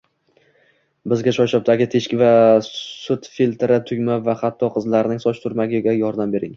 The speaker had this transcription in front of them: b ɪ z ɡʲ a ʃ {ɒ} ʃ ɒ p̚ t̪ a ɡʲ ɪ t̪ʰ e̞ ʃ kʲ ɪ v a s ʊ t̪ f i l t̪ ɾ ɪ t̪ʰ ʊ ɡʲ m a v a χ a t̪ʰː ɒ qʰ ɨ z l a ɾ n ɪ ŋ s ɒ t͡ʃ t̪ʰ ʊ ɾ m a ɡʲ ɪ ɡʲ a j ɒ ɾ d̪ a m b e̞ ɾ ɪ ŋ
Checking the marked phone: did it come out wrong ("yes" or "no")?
no